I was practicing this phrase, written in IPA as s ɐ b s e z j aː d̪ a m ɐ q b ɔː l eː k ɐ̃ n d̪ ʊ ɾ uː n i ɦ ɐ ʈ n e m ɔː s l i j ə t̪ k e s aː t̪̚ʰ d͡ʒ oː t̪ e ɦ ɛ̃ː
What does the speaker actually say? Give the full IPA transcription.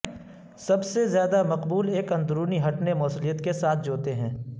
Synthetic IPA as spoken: s ɐ b s e z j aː d̪ a m ɐ q b uː l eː k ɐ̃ n d̪ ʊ ɾ uː n i ɦ ɐ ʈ n e m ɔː s l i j ə t̪ k e s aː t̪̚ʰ d͡ʒ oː t̪ e ɦ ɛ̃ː